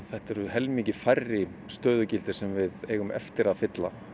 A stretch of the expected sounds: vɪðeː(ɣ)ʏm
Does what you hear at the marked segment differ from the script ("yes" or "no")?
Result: no